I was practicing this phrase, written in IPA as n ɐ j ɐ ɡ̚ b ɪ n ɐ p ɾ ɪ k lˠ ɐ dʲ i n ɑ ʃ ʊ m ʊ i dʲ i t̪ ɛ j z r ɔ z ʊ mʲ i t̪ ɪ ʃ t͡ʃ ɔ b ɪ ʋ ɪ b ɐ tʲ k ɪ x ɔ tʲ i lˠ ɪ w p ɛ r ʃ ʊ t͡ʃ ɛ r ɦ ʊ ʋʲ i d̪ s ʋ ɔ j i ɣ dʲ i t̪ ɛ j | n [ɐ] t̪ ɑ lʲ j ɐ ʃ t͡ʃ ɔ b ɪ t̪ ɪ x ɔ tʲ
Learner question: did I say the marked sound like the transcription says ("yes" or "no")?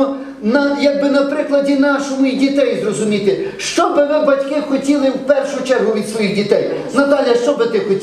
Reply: yes